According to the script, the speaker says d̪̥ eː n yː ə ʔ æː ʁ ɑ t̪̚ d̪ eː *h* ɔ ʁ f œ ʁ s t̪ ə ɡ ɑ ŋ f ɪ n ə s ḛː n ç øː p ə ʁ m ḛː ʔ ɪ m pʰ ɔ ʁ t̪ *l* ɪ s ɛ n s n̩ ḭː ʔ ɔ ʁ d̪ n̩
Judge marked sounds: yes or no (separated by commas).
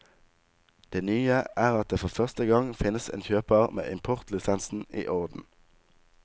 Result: no, yes